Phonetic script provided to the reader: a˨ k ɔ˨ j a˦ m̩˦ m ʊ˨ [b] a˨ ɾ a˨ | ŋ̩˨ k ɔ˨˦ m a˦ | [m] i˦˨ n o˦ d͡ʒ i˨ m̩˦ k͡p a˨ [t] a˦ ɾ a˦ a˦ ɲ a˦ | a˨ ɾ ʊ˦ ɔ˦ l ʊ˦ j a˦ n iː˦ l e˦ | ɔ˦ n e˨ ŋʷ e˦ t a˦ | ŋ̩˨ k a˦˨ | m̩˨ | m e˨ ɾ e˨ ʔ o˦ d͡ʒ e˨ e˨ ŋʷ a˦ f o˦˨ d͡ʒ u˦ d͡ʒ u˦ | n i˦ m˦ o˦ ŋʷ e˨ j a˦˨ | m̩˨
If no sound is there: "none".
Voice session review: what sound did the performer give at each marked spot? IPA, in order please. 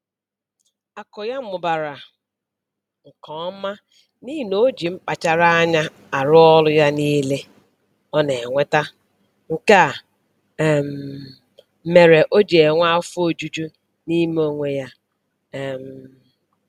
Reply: b, n, t͡ʃ

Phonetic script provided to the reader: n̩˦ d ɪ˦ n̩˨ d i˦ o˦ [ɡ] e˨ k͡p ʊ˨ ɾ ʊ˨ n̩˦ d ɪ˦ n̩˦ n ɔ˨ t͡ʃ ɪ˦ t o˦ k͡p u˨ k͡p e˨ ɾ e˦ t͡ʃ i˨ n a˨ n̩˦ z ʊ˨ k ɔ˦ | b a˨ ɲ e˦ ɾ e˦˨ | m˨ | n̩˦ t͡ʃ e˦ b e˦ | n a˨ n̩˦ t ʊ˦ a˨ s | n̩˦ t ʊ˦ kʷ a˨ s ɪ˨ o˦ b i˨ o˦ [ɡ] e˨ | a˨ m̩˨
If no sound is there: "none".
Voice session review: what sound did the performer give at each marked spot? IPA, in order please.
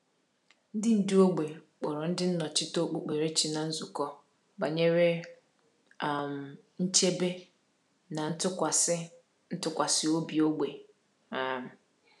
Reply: ɡ͡b, ɡ͡b

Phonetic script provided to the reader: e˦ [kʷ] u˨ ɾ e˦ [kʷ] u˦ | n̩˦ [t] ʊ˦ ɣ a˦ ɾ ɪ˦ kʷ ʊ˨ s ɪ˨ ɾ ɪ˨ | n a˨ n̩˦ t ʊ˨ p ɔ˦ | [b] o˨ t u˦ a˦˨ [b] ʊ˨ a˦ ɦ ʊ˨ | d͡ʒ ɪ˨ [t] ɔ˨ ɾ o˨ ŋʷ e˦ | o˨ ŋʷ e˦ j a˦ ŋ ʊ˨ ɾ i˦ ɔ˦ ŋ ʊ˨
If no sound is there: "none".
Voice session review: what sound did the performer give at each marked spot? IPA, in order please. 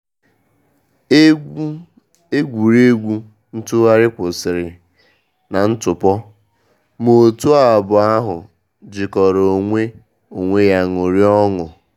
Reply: ɡʷ, ɡʷ, t, m, b, k

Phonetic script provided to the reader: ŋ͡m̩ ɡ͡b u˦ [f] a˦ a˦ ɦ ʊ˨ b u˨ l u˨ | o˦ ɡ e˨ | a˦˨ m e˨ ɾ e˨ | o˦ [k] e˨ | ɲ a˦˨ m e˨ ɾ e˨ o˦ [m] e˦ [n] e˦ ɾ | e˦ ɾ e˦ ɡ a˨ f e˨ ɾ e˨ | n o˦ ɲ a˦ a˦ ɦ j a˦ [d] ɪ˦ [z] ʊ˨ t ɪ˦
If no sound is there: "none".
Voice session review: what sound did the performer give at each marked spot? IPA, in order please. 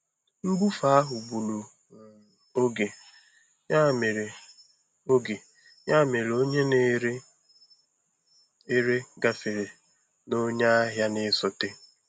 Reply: f, ɡ, ɲ, n, n, s

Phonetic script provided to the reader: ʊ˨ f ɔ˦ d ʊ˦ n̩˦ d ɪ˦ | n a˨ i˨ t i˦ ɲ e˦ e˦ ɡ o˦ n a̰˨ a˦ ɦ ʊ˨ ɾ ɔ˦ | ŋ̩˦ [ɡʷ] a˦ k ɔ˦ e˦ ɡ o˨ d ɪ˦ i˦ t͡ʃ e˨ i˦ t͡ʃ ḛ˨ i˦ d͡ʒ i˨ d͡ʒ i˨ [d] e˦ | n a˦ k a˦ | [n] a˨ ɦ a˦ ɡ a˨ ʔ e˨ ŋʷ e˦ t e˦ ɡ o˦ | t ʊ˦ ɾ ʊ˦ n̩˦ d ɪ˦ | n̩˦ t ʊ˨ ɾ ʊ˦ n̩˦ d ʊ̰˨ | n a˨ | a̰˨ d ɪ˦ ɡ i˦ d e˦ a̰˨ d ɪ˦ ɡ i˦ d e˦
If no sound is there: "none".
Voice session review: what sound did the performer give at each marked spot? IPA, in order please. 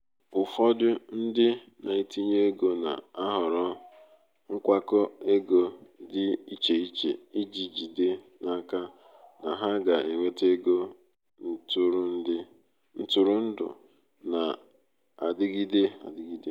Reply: kʷ, d, n

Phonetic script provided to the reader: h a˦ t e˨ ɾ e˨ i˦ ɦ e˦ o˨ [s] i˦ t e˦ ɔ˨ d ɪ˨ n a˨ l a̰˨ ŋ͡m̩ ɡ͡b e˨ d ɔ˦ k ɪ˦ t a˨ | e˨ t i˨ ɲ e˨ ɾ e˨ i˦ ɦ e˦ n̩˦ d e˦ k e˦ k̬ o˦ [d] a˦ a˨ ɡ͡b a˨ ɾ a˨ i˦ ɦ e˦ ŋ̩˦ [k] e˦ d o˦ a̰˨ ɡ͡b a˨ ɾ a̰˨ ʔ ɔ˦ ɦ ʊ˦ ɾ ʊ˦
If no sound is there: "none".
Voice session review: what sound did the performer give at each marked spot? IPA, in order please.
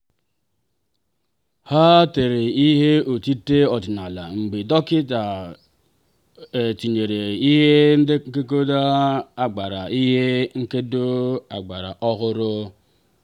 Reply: t, d, k

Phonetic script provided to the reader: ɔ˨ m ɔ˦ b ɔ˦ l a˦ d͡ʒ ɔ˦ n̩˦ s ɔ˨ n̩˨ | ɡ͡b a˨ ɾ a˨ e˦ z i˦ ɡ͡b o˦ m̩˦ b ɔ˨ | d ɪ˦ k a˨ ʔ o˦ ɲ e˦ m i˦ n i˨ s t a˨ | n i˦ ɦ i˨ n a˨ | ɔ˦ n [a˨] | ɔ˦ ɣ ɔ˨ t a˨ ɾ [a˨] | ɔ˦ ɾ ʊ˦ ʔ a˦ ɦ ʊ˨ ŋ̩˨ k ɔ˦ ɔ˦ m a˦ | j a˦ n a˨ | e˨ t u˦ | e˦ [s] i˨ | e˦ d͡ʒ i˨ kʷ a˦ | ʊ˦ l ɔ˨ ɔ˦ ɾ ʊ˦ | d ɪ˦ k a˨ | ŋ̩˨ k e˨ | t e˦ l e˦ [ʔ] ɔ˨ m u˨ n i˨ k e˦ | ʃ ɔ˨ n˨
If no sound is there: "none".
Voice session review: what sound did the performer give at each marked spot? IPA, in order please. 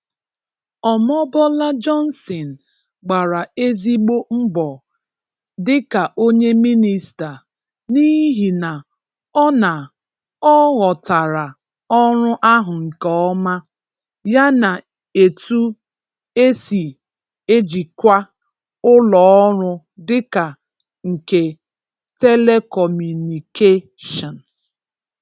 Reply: a˨, a˨, s, k

